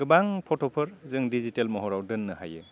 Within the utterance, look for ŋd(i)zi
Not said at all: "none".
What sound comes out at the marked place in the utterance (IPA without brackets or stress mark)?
i